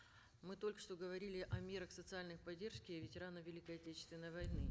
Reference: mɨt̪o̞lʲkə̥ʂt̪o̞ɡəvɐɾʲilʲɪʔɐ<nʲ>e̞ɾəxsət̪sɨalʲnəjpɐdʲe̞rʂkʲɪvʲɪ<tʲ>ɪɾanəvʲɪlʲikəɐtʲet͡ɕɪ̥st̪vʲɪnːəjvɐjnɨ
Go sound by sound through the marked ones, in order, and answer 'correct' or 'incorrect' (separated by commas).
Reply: incorrect, correct